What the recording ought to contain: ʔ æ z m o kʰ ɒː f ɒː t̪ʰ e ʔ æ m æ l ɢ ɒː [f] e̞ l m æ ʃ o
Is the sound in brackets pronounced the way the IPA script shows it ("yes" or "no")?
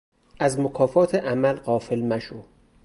yes